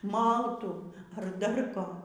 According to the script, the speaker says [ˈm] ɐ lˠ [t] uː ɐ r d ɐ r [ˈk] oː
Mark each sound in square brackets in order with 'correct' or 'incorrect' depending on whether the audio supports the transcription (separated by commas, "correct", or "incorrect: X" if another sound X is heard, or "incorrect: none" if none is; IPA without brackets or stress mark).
correct, correct, correct